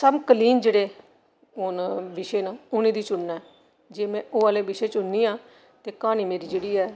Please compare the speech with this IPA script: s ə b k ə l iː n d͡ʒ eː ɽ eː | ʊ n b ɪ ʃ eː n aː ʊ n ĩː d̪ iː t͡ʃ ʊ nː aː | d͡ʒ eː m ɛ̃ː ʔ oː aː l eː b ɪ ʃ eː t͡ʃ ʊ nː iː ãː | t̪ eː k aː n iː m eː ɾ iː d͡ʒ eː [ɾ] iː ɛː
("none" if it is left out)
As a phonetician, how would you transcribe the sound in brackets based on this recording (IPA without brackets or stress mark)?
ɽ